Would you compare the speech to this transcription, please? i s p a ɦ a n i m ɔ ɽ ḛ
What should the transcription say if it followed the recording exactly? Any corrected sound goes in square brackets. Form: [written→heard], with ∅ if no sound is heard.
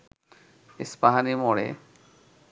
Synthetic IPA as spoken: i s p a ɦ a n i m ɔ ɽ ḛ

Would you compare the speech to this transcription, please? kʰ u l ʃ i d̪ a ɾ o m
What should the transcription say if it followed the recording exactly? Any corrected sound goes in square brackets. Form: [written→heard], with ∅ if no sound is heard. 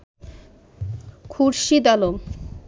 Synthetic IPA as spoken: kʰ u [l→ɾ] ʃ i d̪ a [ɾ→l] o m

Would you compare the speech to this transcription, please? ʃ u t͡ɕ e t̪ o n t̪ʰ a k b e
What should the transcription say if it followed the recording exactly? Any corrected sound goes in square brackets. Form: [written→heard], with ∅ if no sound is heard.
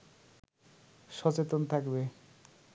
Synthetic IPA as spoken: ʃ [u→ɔ] t͡ɕ e t̪ o n t̪ʰ a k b e

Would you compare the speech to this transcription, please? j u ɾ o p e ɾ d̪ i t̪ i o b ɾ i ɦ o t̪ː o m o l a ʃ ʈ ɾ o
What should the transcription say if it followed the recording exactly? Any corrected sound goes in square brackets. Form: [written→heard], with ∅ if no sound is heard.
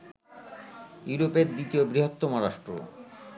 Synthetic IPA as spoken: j u ɾ o p e ɾ d̪ i t̪ i o b ɾ i ɦ o t̪ː o m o [l→ɾ] a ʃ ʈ ɾ o

